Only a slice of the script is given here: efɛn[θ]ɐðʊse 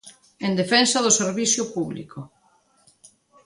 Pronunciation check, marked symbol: incorrect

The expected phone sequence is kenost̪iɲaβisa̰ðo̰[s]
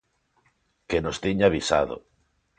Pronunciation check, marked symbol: incorrect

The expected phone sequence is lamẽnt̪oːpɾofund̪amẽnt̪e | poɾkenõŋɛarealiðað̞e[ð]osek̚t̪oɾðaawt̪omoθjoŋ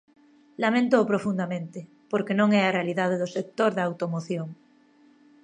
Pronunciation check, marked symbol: correct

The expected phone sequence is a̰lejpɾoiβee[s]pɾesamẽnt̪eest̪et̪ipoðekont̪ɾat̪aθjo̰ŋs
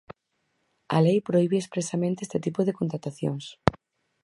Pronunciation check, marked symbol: correct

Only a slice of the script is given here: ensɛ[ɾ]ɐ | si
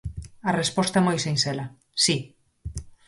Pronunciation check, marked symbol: incorrect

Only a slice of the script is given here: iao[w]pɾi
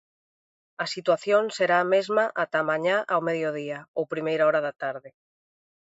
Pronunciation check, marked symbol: correct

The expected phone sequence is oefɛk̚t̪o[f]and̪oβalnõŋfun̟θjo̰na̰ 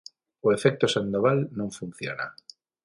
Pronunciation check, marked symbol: incorrect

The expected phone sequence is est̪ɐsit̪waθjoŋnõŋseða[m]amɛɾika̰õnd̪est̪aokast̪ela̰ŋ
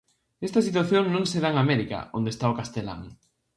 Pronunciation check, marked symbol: incorrect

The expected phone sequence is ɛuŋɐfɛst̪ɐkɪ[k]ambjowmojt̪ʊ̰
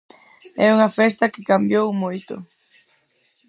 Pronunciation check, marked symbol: correct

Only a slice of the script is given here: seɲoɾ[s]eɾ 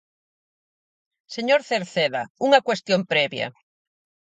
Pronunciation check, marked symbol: incorrect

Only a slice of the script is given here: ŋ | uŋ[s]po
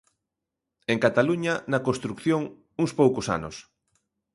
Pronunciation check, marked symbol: correct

